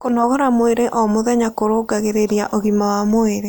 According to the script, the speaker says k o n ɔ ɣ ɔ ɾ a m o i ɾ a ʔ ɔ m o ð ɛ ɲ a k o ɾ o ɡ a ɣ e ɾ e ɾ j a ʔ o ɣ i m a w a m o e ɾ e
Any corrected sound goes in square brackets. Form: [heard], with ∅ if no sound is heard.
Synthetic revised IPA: k o n ɔ ɣ ɔ ɾ a m o [e] ɾ [e] ʔ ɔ m o ð ɛ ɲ a k o ɾ o ɡ a ɣ e ɾ e ɾ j a ʔ o ɣ i m a w a m o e ɾ e